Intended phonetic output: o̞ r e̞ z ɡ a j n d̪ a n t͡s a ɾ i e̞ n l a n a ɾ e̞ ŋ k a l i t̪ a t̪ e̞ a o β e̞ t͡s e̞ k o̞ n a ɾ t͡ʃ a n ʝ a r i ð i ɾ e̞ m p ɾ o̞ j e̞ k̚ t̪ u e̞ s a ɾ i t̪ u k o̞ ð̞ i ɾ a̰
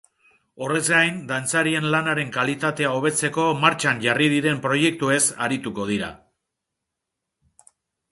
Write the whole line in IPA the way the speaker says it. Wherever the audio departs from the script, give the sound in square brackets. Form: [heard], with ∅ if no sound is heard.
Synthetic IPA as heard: o̞ r e̞ z ɡ a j n d̪ a n t͡s a ɾ i e̞ n l a n a ɾ e̞ ŋ k a l i t̪ a t̪ e̞ a o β e̞ t͡s e̞ k o̞ [m] a ɾ t͡ʃ a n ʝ a r i ð i ɾ e̞ m p ɾ o̞ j e̞ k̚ t̪ u e̞ s a ɾ i t̪ u k o̞ ð̞ i ɾ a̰